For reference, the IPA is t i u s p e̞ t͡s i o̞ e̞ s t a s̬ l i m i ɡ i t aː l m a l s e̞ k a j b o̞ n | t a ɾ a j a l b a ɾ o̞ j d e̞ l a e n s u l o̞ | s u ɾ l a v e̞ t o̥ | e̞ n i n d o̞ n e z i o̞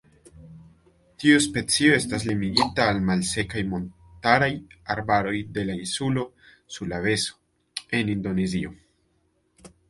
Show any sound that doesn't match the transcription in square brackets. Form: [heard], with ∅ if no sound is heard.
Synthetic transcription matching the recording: t i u s p e̞ t͡s i o̞ e̞ s t a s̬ l i m i ɡ i t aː l m a l s e̞ k a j [m] o̞ n | t a ɾ a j a [ɾ] b a ɾ o̞ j d e̞ l a [i] n s u l o̞ | s u ɾ l a v e̞ [s] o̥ | e̞ n i n d o̞ n e z i o̞